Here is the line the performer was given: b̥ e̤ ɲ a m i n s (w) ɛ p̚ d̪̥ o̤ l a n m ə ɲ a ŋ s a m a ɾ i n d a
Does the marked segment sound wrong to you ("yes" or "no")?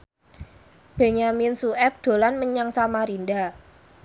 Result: yes